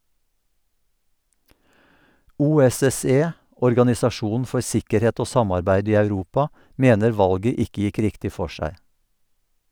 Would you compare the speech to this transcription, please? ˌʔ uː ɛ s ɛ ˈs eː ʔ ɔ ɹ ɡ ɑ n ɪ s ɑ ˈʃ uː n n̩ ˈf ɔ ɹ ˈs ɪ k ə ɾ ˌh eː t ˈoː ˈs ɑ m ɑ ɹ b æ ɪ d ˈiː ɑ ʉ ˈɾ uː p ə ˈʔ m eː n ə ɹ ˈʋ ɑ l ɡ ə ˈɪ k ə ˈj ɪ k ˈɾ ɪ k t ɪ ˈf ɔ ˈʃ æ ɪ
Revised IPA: ˌʔ uː ɛ s ɛ ˈs eː ʔ ɔ ɹ ɡ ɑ n ɪ s ɑ ˈʃ uː n n̩ ˈf ɔ ɹ ˈs ɪ k ə ɾ ˌh eː t ˈoː ˈs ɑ m ɑ ɹ b æ ɪ d ˈiː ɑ ʉ ˈɾ uː p ɑ ˈʔ m eː n ə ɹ ˈʋ ɑ l ɡ ə ˈɪ k ə ˈj ɪ k ˈɾ ɪ k t ɪ ˈf ɔ ˈʃ æ ɪ